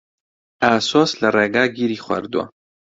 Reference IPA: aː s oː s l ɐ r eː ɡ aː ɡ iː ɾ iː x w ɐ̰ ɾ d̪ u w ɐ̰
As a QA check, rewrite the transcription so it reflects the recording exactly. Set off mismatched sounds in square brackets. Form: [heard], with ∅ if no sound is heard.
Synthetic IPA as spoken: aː s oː s l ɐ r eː ɡ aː ɡ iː ɾ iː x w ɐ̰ ɾ d̪ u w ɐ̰